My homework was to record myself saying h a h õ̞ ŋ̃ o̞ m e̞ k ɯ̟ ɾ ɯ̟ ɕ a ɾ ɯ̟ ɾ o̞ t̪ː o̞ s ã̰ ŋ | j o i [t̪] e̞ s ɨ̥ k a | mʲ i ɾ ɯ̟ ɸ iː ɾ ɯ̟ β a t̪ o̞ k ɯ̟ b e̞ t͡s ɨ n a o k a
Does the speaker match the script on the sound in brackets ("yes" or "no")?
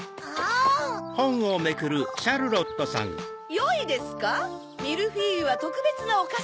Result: no